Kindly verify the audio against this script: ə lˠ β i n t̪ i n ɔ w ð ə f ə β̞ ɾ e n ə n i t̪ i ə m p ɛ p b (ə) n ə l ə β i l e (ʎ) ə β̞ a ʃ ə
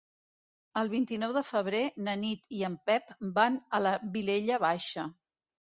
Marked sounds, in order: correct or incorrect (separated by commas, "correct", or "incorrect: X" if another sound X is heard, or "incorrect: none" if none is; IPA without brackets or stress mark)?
incorrect: a, correct